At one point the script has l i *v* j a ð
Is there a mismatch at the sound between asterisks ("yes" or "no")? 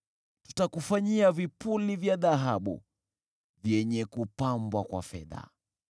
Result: no